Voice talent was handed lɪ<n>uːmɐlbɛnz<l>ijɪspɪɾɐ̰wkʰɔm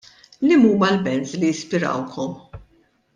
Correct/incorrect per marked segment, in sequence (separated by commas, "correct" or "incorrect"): incorrect, correct